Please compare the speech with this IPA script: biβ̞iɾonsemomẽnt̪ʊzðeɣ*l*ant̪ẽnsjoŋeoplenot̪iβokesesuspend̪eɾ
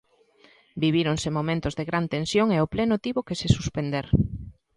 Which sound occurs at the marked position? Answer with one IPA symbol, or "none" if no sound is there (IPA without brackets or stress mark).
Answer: ɾ